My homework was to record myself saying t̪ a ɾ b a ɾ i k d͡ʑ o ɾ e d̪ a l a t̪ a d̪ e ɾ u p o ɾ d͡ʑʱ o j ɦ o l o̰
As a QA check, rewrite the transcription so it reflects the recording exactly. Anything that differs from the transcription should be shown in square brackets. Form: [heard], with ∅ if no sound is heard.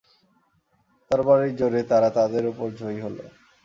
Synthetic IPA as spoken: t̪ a ɾ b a ɾ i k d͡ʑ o ɾ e [t̪] a [ɾ] a t̪ a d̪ e ɾ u p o ɾ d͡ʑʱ o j ɦ o l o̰